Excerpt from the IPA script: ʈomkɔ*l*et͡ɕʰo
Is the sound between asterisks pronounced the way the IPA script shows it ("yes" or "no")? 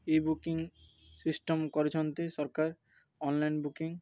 no